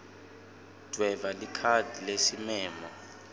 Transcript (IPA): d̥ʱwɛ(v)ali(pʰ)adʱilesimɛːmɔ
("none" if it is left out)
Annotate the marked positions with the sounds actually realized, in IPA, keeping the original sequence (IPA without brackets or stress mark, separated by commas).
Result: v, kʰ